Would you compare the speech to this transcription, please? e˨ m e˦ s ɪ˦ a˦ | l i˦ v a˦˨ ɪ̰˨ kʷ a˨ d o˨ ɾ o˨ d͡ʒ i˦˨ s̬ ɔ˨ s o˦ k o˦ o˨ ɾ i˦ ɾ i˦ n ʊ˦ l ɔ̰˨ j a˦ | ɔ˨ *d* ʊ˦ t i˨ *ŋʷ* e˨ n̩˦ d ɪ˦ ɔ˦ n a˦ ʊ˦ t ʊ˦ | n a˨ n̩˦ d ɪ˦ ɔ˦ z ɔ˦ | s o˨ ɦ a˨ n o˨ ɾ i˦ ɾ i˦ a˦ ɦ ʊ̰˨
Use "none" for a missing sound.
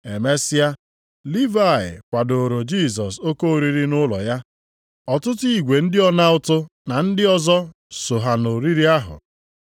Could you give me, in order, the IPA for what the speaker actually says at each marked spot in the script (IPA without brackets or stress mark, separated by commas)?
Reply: t, ɡʷ